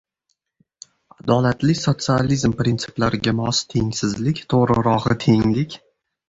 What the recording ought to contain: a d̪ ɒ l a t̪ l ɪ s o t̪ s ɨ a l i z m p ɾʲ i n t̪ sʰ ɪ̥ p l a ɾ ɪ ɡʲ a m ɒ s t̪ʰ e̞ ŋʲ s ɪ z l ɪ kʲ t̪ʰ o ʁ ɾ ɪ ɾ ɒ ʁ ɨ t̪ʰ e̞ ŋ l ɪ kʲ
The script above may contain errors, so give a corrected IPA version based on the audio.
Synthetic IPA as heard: a d̪ ɒ l a t̪ l ɪ s o t̪ s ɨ a l i z m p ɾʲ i n t̪ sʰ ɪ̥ p l a ɾ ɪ ɡʲ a m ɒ s t̪ʰ e̞ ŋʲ s ɪ z l ɪ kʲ t̪ʰ o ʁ ɾ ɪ ɾ ɒ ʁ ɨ t̪ʰ e̞ ŋ l ɪ kʲ